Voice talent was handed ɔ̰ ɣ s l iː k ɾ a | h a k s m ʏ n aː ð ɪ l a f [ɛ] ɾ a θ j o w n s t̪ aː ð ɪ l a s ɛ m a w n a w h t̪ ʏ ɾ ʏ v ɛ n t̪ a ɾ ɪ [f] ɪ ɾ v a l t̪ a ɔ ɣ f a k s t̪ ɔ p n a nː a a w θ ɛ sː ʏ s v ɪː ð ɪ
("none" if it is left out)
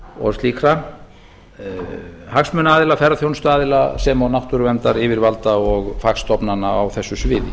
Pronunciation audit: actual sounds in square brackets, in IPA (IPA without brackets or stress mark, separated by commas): ɛ, v